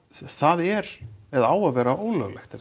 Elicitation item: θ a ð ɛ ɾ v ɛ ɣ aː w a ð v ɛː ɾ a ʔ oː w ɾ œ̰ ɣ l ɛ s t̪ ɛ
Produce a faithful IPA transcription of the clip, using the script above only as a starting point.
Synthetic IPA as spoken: θ a ð ɛ ɾ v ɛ ð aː w a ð v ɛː ɾ a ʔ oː w l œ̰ ɣ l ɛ x t̪ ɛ